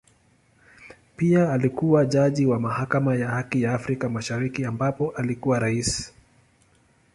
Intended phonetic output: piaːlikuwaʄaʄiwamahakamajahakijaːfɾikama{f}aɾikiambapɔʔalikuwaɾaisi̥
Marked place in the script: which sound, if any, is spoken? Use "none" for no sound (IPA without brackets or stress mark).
ʃ